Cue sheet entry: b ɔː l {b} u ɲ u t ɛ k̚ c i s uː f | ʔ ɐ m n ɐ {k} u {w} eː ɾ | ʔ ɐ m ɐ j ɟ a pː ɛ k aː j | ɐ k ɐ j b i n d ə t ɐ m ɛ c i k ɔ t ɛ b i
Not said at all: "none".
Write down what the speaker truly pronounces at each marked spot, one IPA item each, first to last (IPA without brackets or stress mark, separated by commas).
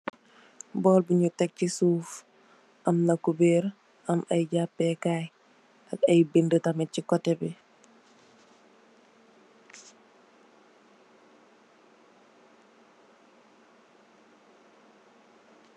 b, k, b